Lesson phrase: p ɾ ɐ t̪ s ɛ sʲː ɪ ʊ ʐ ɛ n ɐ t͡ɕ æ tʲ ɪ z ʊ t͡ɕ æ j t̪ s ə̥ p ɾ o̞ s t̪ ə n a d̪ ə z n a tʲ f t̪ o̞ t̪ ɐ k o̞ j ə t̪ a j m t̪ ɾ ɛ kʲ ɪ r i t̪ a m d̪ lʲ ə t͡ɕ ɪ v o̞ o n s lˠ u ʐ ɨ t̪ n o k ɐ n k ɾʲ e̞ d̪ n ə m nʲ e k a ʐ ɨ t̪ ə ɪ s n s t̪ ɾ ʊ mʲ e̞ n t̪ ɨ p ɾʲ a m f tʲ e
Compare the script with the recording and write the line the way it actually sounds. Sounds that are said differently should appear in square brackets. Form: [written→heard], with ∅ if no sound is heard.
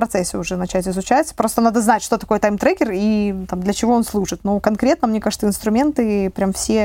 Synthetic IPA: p ɾ ɐ t̪ s ɛ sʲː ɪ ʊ ʐ ɛ n ɐ t͡ɕ æ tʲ ɪ z ʊ t͡ɕ æ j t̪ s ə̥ p ɾ o̞ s t̪ ə n a d̪ ə z n a tʲ [f→ʂ] t̪ o̞ t̪ ɐ k o̞ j ə t̪ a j m t̪ ɾ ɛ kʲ ɪ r i t̪ a m d̪ lʲ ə t͡ɕ ɪ v o̞ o n s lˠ u ʐ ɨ t̪ n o k ɐ n k ɾʲ e̞ [d̪→t̪] n ə m nʲ e k a ʐ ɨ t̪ ə ɪ [s→∅] n s t̪ ɾ ʊ mʲ e̞ n t̪ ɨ p ɾʲ a m f [tʲ→sʲ] e